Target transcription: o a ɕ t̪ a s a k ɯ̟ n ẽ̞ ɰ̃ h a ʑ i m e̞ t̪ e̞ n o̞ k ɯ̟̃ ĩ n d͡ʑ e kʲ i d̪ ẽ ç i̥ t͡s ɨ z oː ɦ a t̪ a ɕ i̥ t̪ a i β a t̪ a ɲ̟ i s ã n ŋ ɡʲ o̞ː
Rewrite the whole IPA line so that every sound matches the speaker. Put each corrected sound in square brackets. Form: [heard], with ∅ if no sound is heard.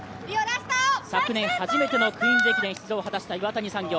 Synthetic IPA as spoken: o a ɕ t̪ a s a k ɯ̟ n ẽ̞ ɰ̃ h a ʑ i m e̞ t̪ e̞ n o̞ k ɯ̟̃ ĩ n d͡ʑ e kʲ i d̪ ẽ ç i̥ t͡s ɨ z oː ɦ a t̪ a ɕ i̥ t̪ a i β a t̪ a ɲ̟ i s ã [∅] ŋ ɡʲ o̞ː